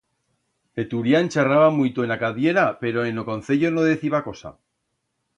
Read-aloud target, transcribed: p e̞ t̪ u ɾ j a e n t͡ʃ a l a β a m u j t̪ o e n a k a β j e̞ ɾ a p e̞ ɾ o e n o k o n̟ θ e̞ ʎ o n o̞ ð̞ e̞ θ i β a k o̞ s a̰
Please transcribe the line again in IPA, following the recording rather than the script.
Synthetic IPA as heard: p e̞ t̪ u ɾ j a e n t͡ʃ a r a β a m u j t̪ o e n a k a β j e̞ ɾ a p e̞ ɾ o e n o k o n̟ θ e̞ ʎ o n o̞ ð̞ e̞ θ i β a k o̞ s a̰